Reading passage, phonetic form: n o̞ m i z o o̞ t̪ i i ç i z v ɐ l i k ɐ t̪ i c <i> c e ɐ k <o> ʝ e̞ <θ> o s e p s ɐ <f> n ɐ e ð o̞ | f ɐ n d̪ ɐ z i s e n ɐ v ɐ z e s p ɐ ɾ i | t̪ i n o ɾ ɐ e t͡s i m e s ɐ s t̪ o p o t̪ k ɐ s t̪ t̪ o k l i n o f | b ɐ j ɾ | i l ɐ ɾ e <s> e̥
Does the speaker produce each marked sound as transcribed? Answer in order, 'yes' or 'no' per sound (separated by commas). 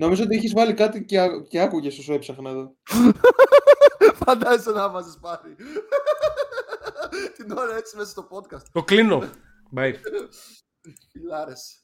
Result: no, no, no, no, yes